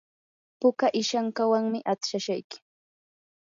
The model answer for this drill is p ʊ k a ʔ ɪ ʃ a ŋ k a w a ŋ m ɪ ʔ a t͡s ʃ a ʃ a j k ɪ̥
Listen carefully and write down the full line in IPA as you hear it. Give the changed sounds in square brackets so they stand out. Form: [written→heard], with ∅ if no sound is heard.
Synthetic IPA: p ʊ k a ʔ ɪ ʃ a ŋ k a w a ŋ m ɪ ʔ a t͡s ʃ a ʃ a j k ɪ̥